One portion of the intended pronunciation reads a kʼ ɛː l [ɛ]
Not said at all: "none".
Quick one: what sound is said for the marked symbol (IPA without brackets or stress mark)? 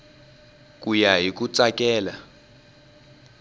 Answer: a